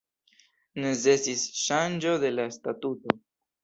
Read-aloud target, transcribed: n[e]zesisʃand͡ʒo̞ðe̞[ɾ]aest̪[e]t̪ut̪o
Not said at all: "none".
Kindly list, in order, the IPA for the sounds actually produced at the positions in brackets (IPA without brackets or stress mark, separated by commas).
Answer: e, l, a